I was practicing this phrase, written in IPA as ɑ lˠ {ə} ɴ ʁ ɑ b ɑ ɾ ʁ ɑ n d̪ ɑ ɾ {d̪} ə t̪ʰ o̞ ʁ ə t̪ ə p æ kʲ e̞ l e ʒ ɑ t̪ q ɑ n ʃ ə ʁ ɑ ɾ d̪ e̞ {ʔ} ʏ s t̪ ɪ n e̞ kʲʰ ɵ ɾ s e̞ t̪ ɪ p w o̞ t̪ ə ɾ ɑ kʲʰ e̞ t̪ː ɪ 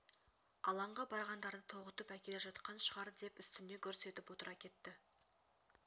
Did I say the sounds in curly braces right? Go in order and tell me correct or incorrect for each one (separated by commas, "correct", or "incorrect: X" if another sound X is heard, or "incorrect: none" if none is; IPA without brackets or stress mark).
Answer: incorrect: ɑ, correct, incorrect: p